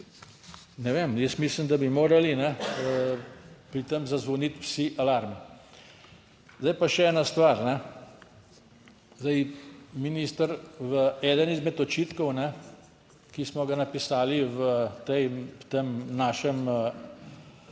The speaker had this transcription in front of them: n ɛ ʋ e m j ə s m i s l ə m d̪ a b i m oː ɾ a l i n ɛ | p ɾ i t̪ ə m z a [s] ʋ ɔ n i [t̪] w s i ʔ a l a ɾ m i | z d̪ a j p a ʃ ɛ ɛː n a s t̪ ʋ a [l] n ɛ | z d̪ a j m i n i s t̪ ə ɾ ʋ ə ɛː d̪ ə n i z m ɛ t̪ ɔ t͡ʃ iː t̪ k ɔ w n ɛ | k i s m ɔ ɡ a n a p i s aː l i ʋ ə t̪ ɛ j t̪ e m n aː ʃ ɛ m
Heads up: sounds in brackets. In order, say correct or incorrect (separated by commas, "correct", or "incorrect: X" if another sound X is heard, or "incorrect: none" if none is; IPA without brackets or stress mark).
incorrect: z, correct, incorrect: ɾ